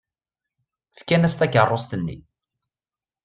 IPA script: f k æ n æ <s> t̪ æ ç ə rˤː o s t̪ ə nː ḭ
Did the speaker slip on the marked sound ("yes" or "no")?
no